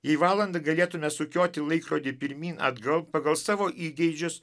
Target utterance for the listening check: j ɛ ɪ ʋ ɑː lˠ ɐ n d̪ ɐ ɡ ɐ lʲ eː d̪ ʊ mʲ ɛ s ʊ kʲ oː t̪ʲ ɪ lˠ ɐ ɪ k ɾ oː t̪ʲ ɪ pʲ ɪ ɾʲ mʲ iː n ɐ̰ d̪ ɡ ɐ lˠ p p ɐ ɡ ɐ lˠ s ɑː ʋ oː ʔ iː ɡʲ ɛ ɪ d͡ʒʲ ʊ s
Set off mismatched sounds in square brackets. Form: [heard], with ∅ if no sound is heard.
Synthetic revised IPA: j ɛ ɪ ʋ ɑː lˠ ɐ n d̪ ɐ ɡ ɐ lʲ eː [t̪] ʊ mʲ ɛ s ʊ kʲ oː t̪ʲ ɪ lˠ ɐ ɪ k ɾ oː [d̪ʲ] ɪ pʲ ɪ ɾʲ mʲ iː n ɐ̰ d̪ ɡ ɐ lˠ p p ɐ ɡ ɐ lˠ s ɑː ʋ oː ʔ iː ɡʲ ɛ ɪ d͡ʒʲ ʊ s